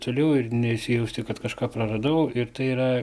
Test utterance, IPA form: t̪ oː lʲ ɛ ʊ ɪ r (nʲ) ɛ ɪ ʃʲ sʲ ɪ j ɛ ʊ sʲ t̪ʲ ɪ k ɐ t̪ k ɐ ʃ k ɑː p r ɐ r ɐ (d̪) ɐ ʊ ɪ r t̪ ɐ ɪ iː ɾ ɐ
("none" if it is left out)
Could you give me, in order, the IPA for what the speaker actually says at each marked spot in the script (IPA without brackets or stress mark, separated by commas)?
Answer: nʲ, d̪